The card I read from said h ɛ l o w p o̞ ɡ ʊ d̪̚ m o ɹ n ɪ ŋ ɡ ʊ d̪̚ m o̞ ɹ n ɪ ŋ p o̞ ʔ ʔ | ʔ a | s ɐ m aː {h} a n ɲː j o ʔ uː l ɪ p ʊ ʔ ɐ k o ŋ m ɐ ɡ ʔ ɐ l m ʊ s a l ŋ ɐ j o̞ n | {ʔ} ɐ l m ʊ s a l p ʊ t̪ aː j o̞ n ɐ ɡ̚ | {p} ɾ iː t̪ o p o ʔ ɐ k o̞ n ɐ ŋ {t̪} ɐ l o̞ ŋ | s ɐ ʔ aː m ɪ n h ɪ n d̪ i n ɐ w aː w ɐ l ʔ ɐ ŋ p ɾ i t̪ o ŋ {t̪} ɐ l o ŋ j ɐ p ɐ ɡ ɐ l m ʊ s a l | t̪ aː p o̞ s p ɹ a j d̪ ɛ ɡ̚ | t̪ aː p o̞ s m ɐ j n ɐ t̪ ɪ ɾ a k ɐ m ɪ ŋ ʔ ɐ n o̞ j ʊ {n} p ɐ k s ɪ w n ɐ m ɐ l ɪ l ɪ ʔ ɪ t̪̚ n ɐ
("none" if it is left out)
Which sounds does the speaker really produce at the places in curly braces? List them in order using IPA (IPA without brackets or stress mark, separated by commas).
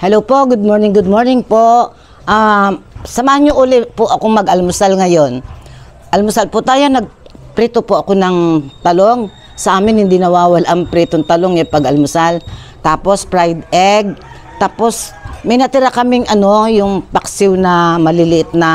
h, ʔ, p, t̪, t̪, ŋ